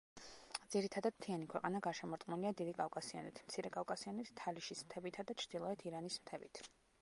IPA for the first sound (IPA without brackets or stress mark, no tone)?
d̪